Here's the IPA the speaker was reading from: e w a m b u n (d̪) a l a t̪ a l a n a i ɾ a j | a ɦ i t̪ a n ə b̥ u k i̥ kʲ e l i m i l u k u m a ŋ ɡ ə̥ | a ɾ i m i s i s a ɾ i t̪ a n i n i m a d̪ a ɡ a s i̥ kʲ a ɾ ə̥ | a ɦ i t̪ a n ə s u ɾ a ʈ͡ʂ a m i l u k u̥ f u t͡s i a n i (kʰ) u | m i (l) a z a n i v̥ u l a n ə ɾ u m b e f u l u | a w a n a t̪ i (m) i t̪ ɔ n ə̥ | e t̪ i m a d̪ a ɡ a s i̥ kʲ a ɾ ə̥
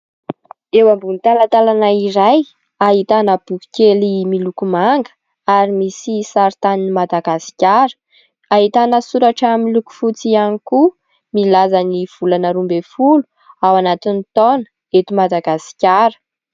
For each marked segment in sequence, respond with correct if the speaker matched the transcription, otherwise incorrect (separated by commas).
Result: incorrect, incorrect, correct, incorrect